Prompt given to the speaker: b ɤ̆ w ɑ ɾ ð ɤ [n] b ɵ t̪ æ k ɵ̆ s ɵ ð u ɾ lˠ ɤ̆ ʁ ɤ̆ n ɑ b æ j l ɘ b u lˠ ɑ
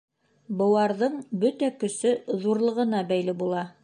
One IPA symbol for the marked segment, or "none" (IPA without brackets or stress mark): ɴ